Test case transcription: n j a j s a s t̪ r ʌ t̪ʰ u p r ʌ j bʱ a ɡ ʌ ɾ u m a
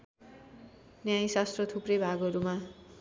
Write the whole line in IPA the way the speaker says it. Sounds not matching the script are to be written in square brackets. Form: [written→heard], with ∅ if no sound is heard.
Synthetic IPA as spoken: n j a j s a s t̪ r ʌ t̪ʰ u p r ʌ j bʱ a ɡ ʌ ɾ u m a